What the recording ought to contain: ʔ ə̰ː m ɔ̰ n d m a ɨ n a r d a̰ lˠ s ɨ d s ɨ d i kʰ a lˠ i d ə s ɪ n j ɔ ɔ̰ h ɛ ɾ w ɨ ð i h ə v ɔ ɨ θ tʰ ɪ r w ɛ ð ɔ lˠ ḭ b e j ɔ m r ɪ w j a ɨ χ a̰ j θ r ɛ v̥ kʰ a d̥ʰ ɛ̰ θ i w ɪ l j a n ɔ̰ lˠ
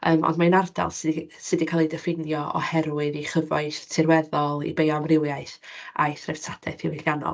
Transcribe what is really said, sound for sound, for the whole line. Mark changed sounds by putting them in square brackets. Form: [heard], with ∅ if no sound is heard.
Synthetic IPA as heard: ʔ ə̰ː m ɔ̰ n d m a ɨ n a r d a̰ lˠ s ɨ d s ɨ d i kʰ a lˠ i d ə [f] ɪ n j ɔ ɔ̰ h ɛ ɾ w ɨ ð i [χ] ə v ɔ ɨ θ tʰ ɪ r w ɛ ð ɔ lˠ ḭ b e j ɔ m r ɪ w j a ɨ [θ] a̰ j θ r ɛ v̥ [tʰ] a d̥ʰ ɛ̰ θ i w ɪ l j a n ɔ̰ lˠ